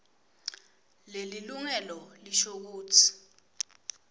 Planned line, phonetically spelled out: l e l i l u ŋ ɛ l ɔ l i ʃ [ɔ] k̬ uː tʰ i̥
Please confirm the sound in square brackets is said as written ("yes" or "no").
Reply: no